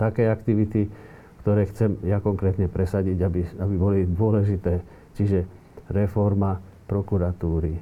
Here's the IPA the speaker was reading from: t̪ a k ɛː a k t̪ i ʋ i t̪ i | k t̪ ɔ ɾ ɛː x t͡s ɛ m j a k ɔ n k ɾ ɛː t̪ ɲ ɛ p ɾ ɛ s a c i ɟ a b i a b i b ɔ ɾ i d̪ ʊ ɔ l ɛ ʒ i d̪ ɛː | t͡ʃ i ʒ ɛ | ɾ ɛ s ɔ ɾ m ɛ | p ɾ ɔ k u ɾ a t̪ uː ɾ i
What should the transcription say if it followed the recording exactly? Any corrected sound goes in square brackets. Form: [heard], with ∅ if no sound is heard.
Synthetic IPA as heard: t̪ a k ɛː a k t̪ i ʋ i t̪ i | k t̪ ɔ ɾ ɛː x t͡s ɛ m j a k ɔ [ŋ] k ɾ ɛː t̪ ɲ ɛ p ɾ ɛ s a [ɟ] i ɟ a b i a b i b ɔ [l] i d̪ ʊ ɔ l ɛ ʒ i [t̪] ɛː | t͡ʃ i ʒ ɛ | ɾ ɛ [f] ɔ ɾ m [a] | p ɾ ɔ k u ɾ a t̪ uː ɾ i